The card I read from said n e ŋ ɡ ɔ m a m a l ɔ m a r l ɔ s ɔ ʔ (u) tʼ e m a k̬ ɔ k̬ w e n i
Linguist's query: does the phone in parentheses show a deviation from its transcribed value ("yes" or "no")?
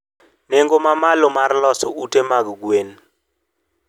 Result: no